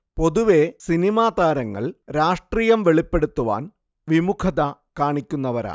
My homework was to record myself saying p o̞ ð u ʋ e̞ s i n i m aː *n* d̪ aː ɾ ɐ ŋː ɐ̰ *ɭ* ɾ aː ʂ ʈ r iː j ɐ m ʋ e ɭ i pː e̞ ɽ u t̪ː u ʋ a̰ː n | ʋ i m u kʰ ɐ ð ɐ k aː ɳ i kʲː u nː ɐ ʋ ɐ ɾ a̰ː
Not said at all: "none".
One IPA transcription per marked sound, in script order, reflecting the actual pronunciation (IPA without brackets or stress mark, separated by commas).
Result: none, ɭ